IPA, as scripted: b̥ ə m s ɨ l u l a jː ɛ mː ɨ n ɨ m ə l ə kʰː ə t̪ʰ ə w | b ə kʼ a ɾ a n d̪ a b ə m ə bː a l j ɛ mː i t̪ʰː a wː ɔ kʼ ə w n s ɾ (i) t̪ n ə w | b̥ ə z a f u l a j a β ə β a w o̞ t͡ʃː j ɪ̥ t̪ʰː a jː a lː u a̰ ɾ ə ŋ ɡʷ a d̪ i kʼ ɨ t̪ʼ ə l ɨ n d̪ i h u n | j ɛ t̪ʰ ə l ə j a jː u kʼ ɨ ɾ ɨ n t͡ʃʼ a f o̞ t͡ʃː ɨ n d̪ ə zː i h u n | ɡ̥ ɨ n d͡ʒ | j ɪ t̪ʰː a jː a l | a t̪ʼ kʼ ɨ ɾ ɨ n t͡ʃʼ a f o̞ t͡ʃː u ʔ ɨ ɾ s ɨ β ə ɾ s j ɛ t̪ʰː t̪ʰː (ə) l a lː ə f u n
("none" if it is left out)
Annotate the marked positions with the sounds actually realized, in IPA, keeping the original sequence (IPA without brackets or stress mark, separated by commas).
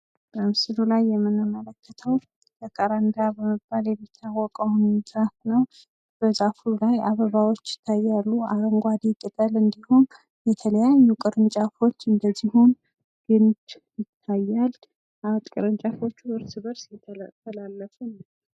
a, ə